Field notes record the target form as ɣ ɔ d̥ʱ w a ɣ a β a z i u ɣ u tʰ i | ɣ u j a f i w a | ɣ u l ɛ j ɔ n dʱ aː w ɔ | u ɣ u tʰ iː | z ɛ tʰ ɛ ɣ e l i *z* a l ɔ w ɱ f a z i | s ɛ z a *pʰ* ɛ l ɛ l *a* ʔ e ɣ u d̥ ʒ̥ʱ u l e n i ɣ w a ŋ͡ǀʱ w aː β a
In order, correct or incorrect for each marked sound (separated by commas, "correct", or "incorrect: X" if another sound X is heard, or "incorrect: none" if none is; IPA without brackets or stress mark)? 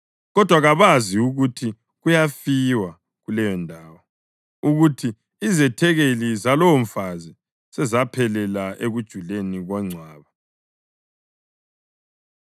correct, correct, correct